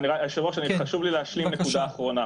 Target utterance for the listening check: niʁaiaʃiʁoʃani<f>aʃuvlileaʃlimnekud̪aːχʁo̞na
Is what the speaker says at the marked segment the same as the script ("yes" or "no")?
no